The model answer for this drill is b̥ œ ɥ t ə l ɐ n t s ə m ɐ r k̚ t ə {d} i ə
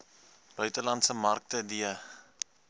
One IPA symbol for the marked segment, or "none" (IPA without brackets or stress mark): d